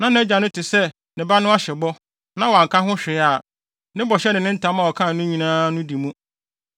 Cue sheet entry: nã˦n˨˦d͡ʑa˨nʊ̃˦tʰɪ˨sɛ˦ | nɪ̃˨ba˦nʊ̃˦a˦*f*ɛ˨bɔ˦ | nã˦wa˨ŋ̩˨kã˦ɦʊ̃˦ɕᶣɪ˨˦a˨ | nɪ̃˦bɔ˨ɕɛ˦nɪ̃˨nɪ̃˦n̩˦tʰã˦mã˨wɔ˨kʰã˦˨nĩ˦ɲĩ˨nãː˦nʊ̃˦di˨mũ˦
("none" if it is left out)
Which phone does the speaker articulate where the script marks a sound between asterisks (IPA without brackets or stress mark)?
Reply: ɕ